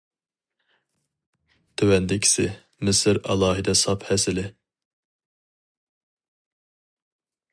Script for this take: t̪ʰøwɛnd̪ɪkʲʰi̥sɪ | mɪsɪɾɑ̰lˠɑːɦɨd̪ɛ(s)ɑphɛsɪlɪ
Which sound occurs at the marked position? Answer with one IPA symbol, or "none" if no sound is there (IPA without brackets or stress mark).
s